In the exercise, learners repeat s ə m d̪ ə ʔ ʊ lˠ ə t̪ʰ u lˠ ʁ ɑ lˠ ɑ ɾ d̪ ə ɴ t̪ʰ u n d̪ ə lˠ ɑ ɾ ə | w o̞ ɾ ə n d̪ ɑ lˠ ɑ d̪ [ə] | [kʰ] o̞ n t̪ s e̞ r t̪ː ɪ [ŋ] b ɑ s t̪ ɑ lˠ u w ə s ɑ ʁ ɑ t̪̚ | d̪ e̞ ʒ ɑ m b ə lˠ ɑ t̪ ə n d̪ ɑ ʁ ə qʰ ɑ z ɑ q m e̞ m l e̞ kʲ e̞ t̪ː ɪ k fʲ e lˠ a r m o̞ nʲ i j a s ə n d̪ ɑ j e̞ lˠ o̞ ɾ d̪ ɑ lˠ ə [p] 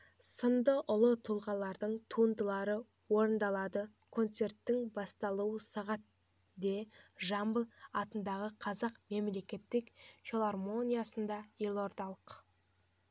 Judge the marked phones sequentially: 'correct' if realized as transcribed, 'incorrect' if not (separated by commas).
correct, correct, correct, incorrect